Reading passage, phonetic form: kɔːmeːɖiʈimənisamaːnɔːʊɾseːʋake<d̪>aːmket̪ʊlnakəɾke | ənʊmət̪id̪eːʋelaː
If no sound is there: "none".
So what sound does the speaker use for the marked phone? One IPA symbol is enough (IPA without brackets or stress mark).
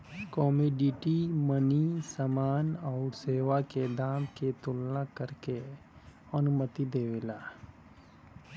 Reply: d̪